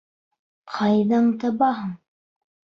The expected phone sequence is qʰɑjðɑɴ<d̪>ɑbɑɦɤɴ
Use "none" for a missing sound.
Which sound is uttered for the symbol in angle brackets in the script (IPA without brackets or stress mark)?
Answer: t̪